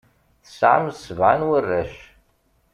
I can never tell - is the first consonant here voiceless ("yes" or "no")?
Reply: yes